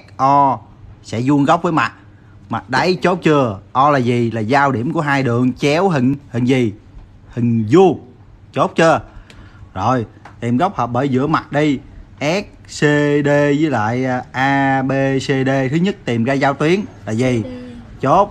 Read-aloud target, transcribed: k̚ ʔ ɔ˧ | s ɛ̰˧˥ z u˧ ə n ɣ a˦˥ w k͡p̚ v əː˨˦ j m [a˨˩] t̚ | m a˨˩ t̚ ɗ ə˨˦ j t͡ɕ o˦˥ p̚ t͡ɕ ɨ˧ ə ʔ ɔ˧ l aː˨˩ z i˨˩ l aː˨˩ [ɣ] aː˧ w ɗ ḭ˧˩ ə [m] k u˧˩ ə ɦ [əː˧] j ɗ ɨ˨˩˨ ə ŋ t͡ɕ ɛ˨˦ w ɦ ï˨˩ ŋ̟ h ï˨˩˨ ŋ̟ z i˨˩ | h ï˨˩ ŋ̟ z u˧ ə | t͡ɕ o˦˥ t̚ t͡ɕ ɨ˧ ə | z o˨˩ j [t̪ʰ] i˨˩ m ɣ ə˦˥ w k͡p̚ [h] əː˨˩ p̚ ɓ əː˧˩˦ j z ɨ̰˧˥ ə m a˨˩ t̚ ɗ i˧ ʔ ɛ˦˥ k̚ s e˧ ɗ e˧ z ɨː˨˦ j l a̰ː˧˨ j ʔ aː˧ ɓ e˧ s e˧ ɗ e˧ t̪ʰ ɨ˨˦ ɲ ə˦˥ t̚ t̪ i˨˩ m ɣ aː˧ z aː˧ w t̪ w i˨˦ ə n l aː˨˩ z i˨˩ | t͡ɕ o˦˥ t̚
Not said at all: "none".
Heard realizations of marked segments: a˨˩, z, m, aː˧, t̪, h

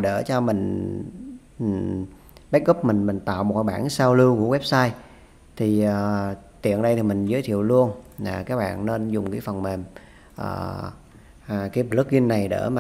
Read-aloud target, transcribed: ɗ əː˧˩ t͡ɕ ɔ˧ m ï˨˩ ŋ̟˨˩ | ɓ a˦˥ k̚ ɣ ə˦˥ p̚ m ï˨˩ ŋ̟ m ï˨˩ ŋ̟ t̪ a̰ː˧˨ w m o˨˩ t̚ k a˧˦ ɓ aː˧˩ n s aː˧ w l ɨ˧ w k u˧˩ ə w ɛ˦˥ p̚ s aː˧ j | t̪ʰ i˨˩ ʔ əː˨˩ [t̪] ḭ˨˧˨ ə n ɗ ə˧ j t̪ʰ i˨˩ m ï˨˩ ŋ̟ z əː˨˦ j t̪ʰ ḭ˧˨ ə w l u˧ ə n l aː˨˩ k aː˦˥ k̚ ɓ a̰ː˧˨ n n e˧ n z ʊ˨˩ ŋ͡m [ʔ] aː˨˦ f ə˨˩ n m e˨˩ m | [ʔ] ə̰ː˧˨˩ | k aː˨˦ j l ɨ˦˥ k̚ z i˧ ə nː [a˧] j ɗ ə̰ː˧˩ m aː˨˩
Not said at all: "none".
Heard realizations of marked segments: t̪, k, ʔ, a˨˩

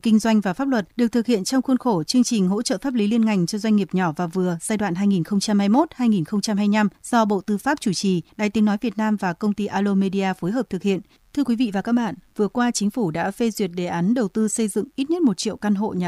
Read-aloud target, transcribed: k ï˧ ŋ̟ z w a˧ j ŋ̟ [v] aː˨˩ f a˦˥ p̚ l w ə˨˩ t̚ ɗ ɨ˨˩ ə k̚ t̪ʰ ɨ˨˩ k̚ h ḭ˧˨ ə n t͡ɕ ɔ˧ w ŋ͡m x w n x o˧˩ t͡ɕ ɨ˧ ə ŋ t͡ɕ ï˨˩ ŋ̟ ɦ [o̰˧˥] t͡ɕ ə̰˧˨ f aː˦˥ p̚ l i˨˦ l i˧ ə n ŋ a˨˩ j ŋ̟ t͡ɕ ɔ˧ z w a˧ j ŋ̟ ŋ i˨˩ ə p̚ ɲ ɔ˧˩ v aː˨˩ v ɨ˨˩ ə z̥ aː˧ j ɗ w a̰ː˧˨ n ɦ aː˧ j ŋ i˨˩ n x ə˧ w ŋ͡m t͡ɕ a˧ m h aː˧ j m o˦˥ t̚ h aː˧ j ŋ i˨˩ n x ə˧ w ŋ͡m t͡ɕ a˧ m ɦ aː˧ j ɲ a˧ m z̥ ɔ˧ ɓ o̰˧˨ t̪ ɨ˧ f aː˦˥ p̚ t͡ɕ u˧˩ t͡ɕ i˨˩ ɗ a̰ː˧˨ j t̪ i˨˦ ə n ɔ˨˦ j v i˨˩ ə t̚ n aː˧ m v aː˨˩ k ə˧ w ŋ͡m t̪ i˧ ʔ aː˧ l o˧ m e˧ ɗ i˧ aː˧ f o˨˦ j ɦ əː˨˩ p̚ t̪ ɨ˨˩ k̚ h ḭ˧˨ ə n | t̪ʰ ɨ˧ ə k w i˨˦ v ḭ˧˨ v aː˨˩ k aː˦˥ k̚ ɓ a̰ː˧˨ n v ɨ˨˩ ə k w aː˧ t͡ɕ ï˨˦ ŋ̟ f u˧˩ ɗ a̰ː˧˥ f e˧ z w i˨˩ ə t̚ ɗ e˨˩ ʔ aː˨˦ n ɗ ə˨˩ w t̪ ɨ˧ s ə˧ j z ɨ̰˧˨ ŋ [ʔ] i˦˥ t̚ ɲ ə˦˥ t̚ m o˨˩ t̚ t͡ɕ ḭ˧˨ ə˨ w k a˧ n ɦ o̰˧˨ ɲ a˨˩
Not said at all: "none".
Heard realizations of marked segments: v, o̰˧˥, ʔ

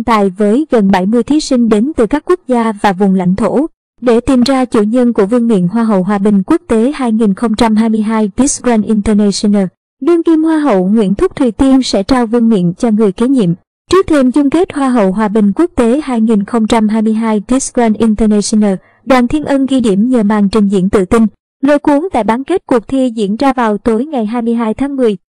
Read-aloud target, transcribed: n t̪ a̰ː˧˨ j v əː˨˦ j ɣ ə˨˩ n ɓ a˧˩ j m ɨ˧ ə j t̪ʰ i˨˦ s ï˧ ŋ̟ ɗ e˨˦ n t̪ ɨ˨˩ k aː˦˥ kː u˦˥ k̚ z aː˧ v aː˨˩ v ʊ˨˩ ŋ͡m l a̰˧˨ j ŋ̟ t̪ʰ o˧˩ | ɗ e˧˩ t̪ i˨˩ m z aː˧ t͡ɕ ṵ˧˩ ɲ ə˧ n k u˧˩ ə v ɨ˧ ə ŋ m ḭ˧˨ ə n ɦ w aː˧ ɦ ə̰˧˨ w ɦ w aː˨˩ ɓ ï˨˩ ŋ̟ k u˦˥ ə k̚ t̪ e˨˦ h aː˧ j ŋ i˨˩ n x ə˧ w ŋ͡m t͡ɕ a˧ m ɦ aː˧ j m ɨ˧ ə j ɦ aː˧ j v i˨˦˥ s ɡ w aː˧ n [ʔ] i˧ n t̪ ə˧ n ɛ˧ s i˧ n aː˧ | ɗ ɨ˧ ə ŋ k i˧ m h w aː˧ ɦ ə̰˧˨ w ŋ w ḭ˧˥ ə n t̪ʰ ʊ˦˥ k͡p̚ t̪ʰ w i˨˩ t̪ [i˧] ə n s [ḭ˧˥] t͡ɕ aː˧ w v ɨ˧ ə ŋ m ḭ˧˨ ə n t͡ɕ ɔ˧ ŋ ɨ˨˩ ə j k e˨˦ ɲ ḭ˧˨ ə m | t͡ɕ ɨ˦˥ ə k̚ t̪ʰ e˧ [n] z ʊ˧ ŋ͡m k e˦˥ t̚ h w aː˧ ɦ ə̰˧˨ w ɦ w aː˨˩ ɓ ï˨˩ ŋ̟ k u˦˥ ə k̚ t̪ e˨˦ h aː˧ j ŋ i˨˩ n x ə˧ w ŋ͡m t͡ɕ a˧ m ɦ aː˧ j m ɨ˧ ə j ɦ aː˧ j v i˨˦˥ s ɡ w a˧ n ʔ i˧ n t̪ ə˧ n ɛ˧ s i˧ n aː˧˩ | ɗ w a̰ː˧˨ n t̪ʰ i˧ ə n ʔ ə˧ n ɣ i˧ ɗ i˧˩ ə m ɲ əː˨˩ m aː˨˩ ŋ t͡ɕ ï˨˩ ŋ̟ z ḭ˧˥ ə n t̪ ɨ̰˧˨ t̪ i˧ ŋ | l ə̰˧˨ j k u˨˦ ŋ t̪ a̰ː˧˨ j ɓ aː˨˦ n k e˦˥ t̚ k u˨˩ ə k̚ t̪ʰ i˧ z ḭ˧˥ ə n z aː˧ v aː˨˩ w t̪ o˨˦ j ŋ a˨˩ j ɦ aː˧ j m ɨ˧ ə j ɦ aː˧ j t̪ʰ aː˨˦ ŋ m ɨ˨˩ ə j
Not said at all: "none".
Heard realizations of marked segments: ʔ, i˧, ɛ̰˧˥, m

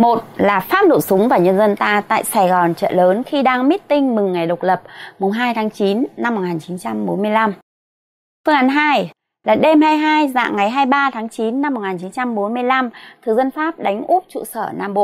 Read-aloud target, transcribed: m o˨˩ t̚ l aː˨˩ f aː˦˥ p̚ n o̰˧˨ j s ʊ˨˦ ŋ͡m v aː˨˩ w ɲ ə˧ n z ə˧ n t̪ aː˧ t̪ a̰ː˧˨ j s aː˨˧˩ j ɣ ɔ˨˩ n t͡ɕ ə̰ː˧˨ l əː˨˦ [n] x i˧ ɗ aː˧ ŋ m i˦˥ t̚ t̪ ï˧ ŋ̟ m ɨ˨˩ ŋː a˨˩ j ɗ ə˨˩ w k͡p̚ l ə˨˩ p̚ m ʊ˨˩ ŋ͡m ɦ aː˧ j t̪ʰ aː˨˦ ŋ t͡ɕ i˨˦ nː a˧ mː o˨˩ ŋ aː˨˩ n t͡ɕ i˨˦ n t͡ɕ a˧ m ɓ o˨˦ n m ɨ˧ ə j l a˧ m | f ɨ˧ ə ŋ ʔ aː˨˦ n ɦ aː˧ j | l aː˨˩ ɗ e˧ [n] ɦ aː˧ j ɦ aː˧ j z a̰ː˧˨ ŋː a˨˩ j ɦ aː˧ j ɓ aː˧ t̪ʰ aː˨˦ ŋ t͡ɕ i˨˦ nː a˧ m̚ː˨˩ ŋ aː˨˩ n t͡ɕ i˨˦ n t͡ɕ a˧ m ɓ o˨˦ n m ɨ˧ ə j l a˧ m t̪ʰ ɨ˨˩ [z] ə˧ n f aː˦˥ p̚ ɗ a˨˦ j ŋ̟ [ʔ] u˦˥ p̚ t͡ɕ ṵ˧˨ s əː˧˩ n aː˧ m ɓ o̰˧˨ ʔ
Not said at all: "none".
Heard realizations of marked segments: n, m, z, ʔ

